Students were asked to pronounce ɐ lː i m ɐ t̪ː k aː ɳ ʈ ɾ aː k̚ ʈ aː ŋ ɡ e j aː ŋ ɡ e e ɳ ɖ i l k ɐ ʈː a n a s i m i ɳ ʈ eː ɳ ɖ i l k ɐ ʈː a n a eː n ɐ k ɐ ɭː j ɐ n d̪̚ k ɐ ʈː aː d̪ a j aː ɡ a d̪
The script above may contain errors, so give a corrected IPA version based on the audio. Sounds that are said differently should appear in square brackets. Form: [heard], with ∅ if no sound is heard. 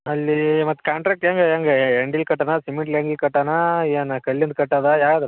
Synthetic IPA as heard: ɐ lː i m ɐ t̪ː k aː ɳ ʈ ɾ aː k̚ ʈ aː ŋ ɡ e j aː ŋ ɡ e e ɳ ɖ i l k ɐ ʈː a n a s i m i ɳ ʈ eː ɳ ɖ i l k ɐ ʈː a n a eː n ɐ k ɐ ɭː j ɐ n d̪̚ k ɐ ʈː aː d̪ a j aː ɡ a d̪